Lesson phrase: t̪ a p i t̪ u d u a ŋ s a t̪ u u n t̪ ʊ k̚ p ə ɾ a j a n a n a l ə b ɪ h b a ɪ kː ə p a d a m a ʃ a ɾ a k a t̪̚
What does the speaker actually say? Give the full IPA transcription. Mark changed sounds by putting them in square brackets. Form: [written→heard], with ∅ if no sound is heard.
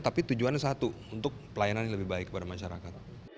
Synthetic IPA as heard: t̪ a p i t̪ u [d→d͡ʒ] u a [ŋ→n] s a t̪ u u n t̪ ʊ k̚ p ə [ɾ→l] a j a n a n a l ə b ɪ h b a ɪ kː ə p a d a m a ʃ a ɾ a k a t̪̚